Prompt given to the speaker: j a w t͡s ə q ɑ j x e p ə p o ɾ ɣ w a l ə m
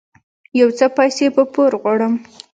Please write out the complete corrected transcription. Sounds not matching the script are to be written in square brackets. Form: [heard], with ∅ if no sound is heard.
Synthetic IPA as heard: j a w t͡s ə [p] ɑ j [s] e p ə p o ɾ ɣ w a [ɽ] ə m